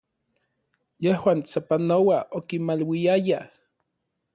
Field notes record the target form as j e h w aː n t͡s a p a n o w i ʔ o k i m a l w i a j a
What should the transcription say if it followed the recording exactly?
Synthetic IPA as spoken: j e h w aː n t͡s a p a n o w a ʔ o k i m a l w i a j a